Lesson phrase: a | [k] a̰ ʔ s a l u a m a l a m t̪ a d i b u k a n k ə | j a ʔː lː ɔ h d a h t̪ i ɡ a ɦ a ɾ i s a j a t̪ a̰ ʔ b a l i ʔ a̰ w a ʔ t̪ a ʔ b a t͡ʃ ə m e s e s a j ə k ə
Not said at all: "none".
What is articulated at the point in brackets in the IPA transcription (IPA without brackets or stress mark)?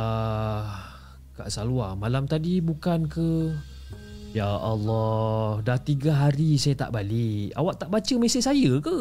k